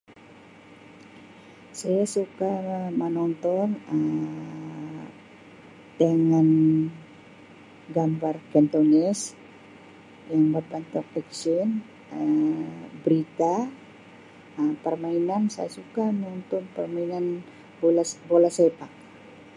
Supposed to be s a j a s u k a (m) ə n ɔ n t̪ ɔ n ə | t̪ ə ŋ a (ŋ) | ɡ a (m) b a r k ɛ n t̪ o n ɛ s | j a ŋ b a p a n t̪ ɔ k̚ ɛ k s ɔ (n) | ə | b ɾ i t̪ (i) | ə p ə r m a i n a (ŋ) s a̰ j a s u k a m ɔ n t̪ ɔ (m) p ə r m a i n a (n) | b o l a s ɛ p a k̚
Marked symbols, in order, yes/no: yes, no, yes, yes, no, no, no, yes

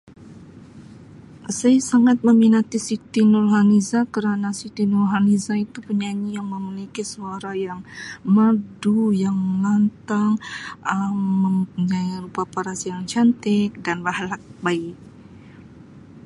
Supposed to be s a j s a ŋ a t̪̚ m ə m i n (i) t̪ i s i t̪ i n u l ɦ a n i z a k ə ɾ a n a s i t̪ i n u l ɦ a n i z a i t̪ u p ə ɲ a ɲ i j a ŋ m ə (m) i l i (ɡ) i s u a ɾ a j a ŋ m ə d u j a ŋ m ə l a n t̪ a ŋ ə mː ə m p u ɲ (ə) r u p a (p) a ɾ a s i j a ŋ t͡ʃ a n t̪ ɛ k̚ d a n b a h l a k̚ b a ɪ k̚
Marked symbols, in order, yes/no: no, yes, no, no, yes

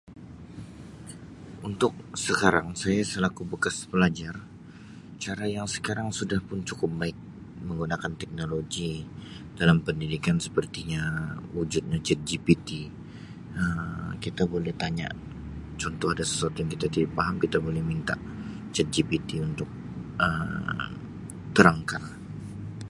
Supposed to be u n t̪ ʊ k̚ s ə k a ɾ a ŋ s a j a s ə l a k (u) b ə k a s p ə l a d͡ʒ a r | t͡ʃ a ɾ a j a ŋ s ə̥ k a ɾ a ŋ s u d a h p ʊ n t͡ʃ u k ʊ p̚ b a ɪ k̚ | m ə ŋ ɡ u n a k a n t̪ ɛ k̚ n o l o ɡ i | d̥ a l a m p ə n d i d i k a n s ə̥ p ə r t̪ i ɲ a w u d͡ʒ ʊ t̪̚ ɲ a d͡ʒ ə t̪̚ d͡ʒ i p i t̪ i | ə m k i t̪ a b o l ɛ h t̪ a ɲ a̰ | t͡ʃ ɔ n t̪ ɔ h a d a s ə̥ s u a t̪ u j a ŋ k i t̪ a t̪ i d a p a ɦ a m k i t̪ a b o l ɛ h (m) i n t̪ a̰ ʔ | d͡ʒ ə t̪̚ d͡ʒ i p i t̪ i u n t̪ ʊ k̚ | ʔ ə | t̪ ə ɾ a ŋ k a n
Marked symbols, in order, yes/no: yes, yes

